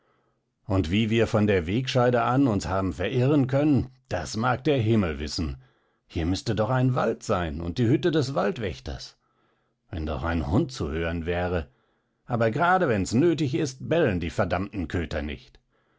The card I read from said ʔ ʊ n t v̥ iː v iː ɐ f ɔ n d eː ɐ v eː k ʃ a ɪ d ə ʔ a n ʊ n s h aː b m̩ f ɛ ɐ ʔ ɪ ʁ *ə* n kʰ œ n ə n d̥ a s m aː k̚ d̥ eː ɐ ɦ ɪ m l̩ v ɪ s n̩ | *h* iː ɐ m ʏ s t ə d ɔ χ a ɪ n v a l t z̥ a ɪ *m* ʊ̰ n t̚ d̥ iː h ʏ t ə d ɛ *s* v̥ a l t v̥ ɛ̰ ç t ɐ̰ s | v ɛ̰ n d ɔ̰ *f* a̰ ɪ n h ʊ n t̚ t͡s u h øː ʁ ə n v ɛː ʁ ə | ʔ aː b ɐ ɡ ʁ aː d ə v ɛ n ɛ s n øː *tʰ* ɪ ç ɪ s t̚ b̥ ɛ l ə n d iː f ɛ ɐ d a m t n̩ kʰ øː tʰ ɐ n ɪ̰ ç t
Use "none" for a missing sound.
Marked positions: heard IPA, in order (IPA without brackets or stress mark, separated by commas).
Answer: ə, h, n, s, χ, t